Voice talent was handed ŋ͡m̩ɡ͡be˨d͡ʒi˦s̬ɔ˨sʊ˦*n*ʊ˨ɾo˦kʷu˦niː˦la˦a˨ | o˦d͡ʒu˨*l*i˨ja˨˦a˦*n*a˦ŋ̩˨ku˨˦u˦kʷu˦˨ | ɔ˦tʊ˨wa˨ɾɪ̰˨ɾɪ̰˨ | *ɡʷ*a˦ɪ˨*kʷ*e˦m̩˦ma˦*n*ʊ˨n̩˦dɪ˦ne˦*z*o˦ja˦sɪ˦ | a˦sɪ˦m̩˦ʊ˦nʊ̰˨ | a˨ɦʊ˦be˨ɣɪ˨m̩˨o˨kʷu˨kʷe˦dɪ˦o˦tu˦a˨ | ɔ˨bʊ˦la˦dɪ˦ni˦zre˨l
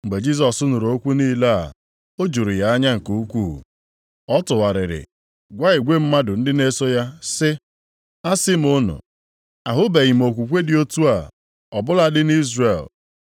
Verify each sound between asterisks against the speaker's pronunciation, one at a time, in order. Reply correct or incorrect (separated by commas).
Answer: correct, incorrect, incorrect, correct, incorrect, incorrect, incorrect